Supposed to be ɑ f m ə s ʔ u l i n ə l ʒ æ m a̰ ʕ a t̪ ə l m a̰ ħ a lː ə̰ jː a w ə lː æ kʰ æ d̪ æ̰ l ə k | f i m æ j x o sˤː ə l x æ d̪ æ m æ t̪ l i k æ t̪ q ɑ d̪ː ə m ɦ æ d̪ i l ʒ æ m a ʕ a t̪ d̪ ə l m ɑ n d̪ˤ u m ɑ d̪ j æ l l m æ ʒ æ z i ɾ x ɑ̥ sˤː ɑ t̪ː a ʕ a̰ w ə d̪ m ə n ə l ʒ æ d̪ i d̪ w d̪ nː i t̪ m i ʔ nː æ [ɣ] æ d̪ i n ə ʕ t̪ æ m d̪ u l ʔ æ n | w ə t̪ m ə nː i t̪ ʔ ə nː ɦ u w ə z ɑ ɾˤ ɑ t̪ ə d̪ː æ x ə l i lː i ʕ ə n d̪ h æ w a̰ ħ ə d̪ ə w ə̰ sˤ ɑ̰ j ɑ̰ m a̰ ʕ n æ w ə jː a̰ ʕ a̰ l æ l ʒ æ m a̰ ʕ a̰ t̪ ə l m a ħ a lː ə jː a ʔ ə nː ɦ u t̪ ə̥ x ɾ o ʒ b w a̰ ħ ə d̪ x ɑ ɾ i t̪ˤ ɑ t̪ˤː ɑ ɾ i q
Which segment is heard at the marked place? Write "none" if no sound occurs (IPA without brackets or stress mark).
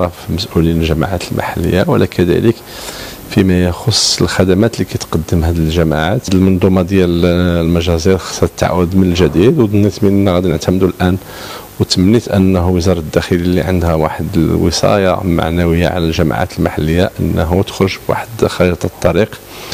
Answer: ɣ